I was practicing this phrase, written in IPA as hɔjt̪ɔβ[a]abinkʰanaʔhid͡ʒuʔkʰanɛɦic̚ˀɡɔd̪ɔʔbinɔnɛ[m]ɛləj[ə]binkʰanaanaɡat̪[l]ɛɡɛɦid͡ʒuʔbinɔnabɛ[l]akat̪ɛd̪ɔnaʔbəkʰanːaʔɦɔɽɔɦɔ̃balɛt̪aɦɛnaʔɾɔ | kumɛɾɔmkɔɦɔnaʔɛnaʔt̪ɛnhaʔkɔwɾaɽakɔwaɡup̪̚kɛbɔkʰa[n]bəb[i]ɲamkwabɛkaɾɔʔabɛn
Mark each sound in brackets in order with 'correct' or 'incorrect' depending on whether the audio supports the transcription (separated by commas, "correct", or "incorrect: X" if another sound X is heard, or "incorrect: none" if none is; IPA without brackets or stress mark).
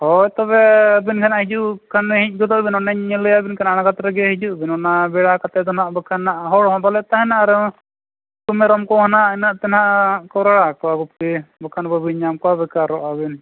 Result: incorrect: ɛ, incorrect: ɲ, incorrect: a, incorrect: ɾ, incorrect: ɽ, correct, correct